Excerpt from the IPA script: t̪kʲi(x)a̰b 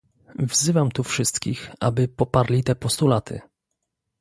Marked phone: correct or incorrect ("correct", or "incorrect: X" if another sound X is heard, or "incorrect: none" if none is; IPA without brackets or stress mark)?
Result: correct